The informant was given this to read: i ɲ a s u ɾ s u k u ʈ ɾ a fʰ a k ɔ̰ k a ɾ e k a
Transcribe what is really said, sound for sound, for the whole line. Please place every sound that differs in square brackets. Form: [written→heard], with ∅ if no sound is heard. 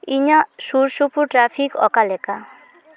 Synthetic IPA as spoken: i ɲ a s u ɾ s u [k→p] u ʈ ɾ a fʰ [a→i] k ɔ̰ k a [ɾ→l] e k a